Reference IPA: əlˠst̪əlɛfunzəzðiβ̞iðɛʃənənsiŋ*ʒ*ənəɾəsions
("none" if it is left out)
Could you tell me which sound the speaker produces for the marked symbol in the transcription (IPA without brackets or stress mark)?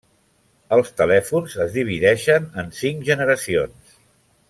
ʒ